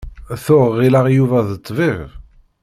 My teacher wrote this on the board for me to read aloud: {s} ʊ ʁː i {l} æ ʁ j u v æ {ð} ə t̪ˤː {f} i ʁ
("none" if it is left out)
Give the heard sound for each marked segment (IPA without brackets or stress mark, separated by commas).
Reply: θ, l, ð, v